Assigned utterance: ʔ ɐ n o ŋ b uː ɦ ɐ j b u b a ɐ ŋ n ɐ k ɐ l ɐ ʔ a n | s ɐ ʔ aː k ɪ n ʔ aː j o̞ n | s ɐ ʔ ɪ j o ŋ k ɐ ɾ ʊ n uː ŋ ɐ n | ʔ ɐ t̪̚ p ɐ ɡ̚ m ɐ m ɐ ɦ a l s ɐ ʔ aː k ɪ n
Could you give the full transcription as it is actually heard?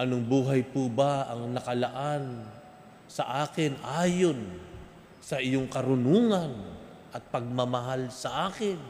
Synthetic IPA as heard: ʔ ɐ n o ŋ b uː ɦ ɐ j p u b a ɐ ŋ n ɐ k ɐ l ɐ ʔ a n | s ɐ ʔ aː k ɪ n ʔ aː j o̞ n | s ɐ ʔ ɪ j o ŋ k ɐ ɾ ʊ n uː ŋ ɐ n | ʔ ɐ t̪̚ p ɐ ɡ̚ m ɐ m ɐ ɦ a l s ɐ ʔ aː k ɪ n